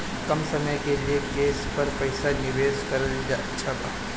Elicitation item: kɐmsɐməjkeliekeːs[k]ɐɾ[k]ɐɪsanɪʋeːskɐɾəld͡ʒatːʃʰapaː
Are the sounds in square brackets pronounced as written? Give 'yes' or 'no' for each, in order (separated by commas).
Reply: no, no